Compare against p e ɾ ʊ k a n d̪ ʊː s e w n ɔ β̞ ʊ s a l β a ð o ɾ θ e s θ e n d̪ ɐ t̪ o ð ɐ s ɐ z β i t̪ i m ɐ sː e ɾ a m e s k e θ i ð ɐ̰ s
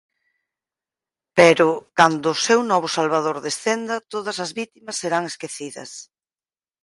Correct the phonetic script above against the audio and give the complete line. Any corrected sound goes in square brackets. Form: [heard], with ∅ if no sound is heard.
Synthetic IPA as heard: p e ɾ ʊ k a n d̪ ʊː s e w n ɔ β̞ ʊ s a l β a ð o ɾ [ð] e s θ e n d̪ ɐ t̪ o ð ɐ s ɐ z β i t̪ i m ɐ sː e ɾ a [ŋ] e s k e θ i ð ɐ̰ s